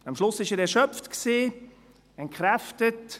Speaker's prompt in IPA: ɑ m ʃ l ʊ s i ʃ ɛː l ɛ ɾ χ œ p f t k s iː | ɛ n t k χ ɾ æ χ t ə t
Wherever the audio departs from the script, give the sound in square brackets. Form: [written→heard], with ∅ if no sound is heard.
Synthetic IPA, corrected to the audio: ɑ m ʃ l ʊ s [i→ɪ] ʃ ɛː [l→ɾ] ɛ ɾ [χ→ʃ] œ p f t k s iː | ɛ n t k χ ɾ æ [χ→f] t ə t